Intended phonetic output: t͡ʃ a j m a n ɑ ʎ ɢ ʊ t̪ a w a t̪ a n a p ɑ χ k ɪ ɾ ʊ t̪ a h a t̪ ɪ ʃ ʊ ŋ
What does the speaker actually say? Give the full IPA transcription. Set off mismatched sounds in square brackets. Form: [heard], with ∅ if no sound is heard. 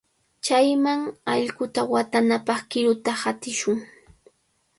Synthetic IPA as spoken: t͡ʃ a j m a [ŋ] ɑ ʎ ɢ ʊ t̪ a w a t̪ a n a p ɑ χ k ɪ ɾ ʊ t̪ a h a t̪ ɪ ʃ ʊ ŋ